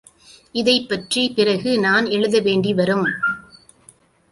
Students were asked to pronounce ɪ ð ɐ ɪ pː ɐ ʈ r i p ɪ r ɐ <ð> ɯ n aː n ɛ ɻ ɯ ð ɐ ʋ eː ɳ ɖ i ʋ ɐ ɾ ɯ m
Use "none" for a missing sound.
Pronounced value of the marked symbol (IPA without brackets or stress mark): ɣ